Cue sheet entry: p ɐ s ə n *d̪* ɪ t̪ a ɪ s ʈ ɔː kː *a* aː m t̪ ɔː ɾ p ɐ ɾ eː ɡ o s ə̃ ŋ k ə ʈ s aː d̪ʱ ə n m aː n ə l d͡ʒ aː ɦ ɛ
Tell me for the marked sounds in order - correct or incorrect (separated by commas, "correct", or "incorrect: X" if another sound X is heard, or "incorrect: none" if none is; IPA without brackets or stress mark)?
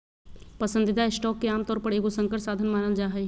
correct, incorrect: e